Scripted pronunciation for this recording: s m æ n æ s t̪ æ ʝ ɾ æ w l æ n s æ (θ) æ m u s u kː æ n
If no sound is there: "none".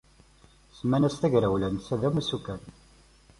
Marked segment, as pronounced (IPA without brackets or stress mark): ð